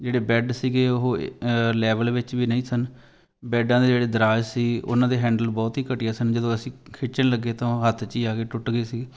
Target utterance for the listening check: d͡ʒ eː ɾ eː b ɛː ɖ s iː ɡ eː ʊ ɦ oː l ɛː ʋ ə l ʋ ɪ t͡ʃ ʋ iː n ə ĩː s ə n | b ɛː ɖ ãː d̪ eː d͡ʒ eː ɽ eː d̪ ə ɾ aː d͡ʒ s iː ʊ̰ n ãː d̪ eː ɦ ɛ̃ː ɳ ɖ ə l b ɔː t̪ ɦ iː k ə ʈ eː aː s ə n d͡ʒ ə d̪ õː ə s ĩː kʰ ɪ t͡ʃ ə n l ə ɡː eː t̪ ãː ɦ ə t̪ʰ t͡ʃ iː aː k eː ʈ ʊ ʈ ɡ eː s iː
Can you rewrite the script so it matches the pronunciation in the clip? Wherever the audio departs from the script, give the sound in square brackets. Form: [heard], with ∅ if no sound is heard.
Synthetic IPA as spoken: d͡ʒ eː [ɽ] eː b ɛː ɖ s iː ɡ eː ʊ ɦ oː l ɛː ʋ ə l ʋ ɪ t͡ʃ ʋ iː n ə ĩː s ə n | b ɛː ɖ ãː d̪ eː d͡ʒ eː ɽ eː d̪ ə ɾ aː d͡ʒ s iː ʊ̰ n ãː d̪ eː ɦ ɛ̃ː ɳ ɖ ə l b ɔː t̪ ɦ iː k ə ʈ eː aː s ə n d͡ʒ ə d̪ õː ə s ĩː kʰ ɪ t͡ʃ ə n l ə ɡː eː t̪ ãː ɦ ə t̪ʰ t͡ʃ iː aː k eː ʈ ʊ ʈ ɡ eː s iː